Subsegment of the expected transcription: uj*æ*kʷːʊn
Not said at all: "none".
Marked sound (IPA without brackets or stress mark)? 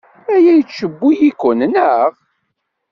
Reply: i